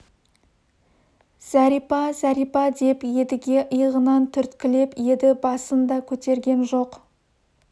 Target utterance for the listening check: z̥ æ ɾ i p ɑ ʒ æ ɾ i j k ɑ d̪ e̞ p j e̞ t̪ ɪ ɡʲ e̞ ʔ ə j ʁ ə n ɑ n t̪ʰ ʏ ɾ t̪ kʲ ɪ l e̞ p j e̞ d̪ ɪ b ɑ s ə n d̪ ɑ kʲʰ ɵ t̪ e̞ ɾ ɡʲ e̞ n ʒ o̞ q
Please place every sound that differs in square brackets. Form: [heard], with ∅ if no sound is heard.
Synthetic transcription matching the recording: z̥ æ ɾ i p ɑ [z] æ ɾ i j [p] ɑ d̪ e̞ p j e̞ [d̪] ɪ ɡʲ e̞ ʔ ə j ʁ ə n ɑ n t̪ʰ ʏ ɾ t̪ kʲ ɪ l e̞ p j e̞ d̪ ɪ b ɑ s ə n d̪ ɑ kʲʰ ɵ t̪ e̞ ɾ ɡʲ e̞ n ʒ o̞ q